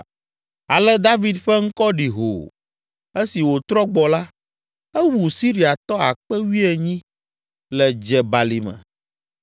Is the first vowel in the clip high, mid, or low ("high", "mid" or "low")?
low